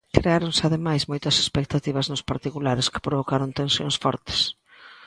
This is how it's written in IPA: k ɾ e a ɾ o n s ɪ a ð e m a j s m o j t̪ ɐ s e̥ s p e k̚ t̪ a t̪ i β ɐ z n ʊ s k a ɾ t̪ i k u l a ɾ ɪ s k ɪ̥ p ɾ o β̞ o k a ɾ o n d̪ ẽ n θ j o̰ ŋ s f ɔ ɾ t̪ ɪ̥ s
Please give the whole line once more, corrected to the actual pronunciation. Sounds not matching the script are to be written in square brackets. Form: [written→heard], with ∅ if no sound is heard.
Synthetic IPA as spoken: k ɾ e a ɾ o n s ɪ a ð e m a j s m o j t̪ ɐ s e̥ s p e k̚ t̪ a t̪ i β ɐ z n ʊ s [k→p] a ɾ t̪ i k u l a ɾ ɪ s k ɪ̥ p ɾ o β̞ o k a ɾ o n [d̪→t̪] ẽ n [θ→s] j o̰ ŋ s f ɔ ɾ t̪ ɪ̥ s